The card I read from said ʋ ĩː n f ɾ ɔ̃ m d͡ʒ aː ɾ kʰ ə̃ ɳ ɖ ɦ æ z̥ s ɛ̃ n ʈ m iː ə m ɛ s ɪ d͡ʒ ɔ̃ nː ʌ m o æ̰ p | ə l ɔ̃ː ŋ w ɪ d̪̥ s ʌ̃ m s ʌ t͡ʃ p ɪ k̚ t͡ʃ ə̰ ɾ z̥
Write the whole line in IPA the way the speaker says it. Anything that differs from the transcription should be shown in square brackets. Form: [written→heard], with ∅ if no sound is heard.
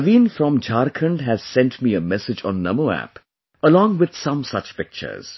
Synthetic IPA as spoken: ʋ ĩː n f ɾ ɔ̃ m d͡ʒ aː ɾ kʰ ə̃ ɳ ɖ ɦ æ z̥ s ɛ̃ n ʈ m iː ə m ɛ s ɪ d͡ʒ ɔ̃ nː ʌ m o æ̰ p | ə l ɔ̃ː ŋ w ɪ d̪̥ s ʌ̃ m s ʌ t͡ʃ p ɪ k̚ t͡ʃ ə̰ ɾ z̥